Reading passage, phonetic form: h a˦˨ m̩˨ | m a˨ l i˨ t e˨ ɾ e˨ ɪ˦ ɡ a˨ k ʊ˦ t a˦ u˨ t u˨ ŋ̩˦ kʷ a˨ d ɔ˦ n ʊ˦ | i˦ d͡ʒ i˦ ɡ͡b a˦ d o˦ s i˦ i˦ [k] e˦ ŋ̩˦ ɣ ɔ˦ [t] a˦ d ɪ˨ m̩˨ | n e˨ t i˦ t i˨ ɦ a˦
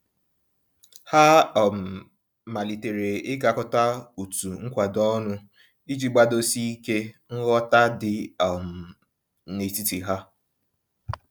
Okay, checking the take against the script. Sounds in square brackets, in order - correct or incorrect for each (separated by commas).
correct, correct